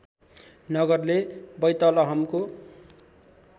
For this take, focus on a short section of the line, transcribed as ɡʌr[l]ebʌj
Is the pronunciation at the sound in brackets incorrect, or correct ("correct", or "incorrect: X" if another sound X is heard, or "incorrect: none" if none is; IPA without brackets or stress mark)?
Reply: correct